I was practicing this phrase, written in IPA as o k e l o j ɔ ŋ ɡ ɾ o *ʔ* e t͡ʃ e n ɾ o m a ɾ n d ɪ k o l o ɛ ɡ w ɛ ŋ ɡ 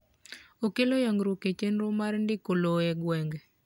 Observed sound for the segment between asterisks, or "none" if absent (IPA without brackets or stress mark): k